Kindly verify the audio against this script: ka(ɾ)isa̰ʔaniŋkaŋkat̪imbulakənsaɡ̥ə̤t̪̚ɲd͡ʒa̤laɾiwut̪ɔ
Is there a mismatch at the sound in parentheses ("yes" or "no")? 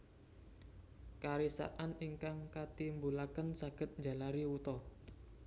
no